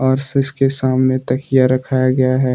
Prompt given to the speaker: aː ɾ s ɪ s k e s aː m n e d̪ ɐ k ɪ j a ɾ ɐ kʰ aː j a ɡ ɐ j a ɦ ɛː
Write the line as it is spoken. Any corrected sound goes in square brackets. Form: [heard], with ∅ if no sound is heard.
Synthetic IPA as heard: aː ɾ s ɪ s k e s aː m n e [t̪] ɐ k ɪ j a ɾ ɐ kʰ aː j a ɡ ɐ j a ɦ ɛː